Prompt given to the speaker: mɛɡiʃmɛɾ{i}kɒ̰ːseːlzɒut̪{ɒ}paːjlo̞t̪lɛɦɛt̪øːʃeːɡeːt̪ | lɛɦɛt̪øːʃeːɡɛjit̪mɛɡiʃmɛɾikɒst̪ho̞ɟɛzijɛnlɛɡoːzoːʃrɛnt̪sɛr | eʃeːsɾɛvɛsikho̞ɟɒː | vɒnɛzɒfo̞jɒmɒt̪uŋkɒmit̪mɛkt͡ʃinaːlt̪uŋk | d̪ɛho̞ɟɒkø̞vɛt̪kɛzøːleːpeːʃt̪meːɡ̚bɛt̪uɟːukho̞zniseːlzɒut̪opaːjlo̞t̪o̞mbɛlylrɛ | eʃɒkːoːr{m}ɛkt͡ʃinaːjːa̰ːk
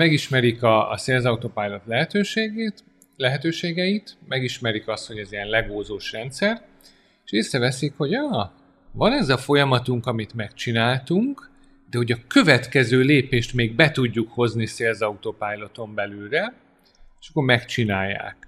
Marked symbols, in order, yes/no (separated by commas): yes, no, yes